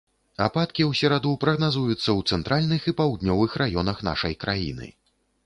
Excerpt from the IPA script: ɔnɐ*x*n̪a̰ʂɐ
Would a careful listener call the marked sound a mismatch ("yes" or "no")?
no